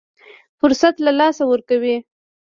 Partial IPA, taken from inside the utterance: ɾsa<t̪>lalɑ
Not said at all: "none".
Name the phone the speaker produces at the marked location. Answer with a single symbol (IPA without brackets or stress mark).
t̪